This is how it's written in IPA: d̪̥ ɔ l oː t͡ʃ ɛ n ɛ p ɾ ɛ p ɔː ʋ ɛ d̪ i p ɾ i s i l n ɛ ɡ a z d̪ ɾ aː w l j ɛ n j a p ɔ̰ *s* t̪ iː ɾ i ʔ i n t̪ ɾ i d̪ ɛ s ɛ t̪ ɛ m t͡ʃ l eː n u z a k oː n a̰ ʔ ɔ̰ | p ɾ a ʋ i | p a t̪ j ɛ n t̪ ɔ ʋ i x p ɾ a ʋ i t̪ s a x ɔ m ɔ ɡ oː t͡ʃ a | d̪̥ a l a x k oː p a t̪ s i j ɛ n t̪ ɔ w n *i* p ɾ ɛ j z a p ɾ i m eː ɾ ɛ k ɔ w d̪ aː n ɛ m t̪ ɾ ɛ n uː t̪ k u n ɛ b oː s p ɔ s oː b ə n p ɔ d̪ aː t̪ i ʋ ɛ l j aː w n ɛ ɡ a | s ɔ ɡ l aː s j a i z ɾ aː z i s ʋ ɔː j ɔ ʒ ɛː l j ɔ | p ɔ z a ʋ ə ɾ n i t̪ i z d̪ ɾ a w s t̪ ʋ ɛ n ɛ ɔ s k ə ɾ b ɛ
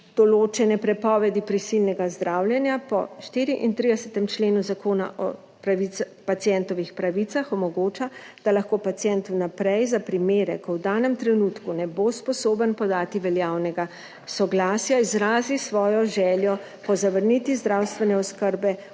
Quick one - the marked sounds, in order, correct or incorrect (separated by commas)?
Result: incorrect, incorrect